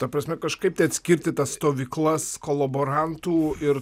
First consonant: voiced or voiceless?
voiceless